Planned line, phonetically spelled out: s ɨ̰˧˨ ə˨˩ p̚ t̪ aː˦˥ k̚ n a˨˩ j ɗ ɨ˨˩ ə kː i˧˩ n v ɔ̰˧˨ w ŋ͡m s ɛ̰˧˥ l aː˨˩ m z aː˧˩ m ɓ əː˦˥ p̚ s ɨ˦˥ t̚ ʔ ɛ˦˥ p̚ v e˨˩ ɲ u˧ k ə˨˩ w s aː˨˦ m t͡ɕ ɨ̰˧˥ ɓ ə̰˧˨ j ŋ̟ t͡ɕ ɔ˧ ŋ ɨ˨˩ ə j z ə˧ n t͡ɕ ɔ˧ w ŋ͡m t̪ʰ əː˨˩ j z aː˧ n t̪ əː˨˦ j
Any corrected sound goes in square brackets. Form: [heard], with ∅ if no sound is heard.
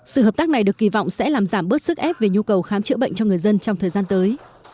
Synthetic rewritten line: s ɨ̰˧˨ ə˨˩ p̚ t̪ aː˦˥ k̚ n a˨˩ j ɗ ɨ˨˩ ə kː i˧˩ [∅] v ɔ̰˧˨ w ŋ͡m s ɛ̰˧˥ l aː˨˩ m z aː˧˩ m ɓ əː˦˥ [t̚] s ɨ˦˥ [k̚] ʔ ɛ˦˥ p̚ v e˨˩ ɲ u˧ k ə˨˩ w [x] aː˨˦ m t͡ɕ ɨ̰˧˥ ɓ ə̰˧˨ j ŋ̟ t͡ɕ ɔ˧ ŋ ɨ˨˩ ə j z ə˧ n t͡ɕ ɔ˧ w ŋ͡m t̪ʰ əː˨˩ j z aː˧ n t̪ əː˨˦ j